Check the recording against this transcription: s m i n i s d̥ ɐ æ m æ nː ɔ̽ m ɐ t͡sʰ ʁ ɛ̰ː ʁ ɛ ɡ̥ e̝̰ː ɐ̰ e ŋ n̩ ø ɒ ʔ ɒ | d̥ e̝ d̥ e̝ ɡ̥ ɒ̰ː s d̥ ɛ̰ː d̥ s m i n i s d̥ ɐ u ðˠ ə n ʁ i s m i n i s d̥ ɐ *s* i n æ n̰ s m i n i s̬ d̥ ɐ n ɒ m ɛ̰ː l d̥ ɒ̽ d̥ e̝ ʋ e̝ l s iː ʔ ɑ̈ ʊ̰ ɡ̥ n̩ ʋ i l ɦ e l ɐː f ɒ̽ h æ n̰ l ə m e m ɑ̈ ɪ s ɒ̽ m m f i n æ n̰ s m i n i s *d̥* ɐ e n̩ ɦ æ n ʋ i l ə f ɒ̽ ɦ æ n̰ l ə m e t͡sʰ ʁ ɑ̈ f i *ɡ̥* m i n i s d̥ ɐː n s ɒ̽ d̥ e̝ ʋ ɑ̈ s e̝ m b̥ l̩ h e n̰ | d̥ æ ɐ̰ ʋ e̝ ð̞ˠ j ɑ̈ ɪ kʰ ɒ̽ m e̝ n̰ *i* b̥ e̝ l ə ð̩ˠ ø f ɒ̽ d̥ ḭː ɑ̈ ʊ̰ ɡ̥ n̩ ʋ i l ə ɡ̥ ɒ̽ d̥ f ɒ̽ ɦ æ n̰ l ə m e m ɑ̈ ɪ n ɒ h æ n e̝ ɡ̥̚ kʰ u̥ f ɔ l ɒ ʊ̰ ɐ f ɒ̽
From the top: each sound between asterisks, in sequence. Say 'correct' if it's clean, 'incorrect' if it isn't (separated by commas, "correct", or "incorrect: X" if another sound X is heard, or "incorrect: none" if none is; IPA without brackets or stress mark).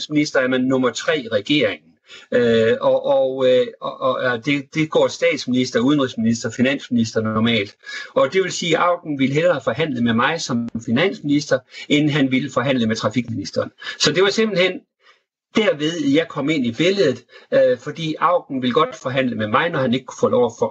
incorrect: f, correct, correct, correct